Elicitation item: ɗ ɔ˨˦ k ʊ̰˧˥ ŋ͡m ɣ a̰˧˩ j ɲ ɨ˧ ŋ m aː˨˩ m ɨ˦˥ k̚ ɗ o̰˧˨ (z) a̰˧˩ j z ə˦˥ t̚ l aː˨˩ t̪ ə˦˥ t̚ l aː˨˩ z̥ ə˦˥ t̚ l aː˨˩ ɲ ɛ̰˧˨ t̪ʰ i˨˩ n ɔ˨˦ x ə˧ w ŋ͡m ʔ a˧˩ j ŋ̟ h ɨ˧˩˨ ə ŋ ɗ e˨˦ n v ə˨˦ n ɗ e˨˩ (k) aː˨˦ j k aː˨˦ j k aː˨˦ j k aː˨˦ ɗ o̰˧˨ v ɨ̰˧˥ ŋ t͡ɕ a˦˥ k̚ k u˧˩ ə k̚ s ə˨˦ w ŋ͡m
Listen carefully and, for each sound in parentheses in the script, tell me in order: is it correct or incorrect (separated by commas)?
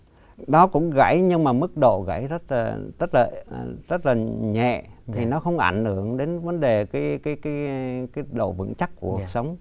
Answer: incorrect, correct